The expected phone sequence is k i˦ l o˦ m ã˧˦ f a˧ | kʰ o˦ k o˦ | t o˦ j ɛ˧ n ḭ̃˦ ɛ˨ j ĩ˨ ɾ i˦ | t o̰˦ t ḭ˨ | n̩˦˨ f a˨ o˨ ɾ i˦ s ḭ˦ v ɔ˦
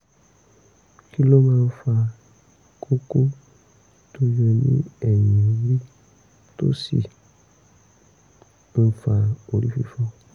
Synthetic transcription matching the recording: k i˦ l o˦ m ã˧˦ f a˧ | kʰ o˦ k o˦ | t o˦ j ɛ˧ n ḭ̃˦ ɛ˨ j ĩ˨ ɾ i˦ | t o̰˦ s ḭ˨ | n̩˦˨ f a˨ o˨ ɾ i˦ f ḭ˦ f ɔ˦